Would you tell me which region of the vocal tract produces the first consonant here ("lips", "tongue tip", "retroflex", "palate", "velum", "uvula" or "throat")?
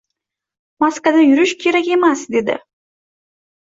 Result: lips